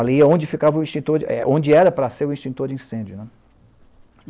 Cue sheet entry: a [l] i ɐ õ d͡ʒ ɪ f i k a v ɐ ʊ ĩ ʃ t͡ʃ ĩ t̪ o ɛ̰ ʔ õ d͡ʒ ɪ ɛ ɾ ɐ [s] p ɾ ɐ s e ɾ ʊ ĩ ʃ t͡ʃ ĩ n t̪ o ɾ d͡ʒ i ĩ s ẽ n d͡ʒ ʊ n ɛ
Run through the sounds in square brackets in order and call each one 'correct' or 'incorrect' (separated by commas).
correct, incorrect